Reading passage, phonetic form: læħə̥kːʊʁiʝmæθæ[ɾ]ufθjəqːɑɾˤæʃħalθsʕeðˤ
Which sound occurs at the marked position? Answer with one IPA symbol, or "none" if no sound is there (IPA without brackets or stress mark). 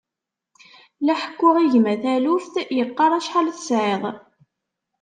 l